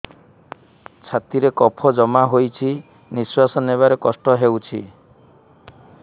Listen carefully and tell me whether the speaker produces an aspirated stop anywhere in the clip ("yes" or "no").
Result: yes